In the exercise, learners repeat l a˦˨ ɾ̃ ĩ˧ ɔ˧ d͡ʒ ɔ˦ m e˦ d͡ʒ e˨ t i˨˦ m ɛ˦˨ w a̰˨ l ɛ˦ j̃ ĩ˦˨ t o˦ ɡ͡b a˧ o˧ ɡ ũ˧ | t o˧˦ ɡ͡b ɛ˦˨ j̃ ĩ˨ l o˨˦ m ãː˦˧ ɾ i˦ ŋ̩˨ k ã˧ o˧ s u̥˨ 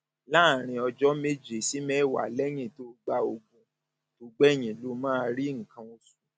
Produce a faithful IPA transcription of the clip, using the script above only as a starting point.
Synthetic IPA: l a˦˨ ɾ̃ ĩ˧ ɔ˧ d͡ʒ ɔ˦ m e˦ d͡ʒ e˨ s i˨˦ m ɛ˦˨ w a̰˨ l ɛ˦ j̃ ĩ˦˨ t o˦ ɡ͡b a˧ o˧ ɡ ũ˧ | t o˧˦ ɡ͡b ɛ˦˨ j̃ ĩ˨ l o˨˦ m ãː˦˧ ɾ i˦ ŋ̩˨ k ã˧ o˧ s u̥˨